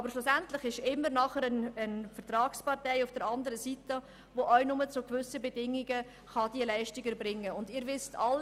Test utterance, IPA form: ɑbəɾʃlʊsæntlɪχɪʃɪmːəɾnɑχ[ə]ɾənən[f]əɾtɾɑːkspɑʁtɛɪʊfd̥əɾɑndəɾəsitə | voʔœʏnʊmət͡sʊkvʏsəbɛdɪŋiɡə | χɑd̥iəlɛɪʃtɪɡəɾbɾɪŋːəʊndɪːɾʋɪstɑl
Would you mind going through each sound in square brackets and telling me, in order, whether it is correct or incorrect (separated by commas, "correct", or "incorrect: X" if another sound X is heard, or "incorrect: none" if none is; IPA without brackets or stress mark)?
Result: correct, correct